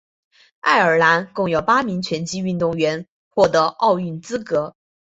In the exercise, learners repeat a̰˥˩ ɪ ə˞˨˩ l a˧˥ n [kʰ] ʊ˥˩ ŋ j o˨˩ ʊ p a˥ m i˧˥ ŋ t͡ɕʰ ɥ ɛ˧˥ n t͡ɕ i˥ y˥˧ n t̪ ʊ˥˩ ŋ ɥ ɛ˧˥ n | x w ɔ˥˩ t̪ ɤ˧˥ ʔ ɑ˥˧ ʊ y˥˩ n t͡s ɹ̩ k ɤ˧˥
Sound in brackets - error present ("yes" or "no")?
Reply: yes